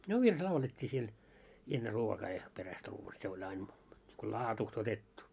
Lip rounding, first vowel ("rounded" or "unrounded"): rounded